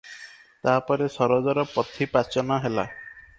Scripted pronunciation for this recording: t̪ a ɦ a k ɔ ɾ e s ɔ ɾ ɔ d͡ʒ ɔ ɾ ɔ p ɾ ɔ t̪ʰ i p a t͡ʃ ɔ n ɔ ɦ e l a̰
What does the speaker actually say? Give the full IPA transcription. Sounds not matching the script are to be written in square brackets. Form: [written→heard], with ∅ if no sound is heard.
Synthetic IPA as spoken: t̪ a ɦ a [k→p] ɔ ɾ e s ɔ ɾ ɔ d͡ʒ ɔ ɾ ɔ p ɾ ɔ t̪ʰ i p a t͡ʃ ɔ n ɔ ɦ e l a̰